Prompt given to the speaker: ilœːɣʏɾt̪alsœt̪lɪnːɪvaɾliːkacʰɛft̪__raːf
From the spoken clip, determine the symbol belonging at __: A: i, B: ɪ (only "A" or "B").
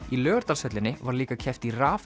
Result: A